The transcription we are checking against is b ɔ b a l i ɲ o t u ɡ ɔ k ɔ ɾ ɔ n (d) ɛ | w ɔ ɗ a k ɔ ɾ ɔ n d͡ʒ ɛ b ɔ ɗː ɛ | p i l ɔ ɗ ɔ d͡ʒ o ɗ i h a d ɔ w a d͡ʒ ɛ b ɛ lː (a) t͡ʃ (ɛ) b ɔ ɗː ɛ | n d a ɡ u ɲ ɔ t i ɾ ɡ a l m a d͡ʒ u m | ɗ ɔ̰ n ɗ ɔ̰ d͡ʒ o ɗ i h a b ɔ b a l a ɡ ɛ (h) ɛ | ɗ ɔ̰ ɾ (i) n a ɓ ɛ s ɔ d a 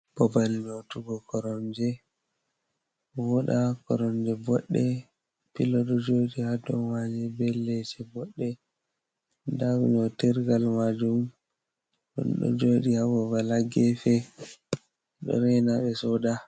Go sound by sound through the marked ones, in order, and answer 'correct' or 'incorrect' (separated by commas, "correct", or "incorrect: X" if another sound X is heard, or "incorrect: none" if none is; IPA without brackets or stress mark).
incorrect: d͡ʒ, incorrect: ɛ, correct, incorrect: f, incorrect: ɛ